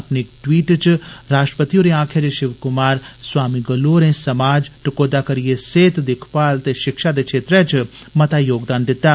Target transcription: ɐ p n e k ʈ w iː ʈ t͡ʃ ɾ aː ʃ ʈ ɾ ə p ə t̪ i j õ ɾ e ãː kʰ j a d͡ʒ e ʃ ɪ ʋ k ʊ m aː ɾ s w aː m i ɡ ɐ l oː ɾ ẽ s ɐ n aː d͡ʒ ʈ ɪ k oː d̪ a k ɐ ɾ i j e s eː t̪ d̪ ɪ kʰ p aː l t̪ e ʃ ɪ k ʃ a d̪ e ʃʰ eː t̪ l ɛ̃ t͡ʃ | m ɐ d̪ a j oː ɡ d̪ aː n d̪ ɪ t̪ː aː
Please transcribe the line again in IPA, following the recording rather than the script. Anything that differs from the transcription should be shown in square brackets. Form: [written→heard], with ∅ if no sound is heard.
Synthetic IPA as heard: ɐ p n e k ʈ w iː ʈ t͡ʃ ɾ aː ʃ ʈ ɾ ə p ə t̪ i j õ ɾ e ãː kʰ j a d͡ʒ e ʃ ɪ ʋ k ʊ m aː ɾ s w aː m i ɡ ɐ l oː ɾ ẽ s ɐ [n→m] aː d͡ʒ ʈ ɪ k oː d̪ a k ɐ ɾ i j e s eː t̪ d̪ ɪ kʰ p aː l t̪ e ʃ ɪ k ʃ a d̪ e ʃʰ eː t̪ [l→ɾ] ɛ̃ t͡ʃ | m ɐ [d̪→t̪] a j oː ɡ d̪ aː n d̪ ɪ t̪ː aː